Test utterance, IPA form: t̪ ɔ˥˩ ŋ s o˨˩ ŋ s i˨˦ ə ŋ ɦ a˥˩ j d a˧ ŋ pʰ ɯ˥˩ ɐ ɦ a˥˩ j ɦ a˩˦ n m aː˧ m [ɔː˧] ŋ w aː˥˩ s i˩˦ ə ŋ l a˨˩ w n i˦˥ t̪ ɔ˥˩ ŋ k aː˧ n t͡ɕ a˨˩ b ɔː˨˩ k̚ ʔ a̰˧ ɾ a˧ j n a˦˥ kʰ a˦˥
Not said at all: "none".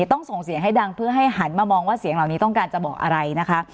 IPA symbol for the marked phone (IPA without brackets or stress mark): ɔː˧